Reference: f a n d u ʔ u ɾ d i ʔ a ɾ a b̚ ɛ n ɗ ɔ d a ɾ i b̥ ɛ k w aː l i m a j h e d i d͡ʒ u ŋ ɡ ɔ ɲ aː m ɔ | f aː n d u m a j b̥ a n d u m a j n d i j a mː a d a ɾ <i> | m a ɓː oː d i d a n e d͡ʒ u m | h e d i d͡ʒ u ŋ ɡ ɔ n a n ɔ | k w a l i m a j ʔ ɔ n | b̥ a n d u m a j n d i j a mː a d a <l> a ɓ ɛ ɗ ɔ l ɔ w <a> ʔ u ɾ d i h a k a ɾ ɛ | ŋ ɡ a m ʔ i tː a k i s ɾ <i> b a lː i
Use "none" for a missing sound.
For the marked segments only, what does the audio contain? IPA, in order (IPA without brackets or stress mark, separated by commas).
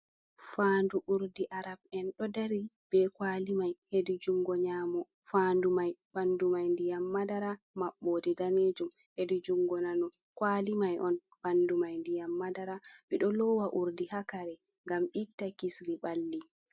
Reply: a, ɾ, a, i